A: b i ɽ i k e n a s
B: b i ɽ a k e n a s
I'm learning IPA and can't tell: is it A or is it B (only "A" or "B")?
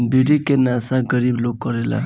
A